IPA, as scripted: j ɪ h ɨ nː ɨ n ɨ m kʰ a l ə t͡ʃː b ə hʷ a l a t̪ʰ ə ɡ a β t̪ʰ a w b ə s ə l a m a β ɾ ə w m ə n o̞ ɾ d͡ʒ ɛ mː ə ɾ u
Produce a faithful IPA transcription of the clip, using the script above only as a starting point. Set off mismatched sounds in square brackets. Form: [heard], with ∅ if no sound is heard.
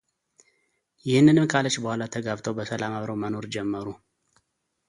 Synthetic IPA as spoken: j ɪ h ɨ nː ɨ n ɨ m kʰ a l ə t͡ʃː b ə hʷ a l a t̪ʰ ə ɡ a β t̪ʰ [ə] w b ə s ə l a m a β ɾ ə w m ə n o̞ ɾ d͡ʒ ɛ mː ə ɾ u

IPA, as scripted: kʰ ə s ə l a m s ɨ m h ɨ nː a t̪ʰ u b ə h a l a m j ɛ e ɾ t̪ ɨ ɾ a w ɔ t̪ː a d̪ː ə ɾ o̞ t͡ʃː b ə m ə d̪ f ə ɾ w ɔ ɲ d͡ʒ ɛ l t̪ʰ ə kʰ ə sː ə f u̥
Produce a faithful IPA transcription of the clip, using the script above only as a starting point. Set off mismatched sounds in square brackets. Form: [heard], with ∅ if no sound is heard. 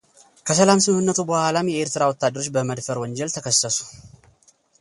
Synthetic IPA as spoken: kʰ ə s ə l a m s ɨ m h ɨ nː [ə] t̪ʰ u b ə h a l a m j ɛ e ɾ t̪ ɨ ɾ a w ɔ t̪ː a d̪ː ə ɾ o̞ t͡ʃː b ə m ə d̪ f ə ɾ w ɔ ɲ d͡ʒ ɛ l t̪ʰ ə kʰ ə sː ə [s] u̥

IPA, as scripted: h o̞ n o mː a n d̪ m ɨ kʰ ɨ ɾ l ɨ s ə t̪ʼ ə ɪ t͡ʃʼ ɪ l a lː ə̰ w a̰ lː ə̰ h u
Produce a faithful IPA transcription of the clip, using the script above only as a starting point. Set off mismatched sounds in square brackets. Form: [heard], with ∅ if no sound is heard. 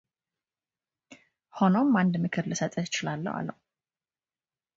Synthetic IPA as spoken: h o̞ n o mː a n d̪ m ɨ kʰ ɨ ɾ l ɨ s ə t̪ʼ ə ɪ [t͡ʃ] ɪ l a lː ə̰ w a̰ lː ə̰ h u

